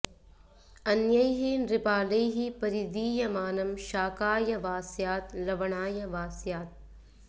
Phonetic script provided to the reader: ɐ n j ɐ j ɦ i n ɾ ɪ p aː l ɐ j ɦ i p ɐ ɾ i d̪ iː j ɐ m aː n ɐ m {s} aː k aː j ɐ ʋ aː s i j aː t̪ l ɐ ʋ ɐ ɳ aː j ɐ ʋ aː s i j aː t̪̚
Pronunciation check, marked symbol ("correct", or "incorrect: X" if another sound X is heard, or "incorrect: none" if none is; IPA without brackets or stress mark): incorrect: ʃ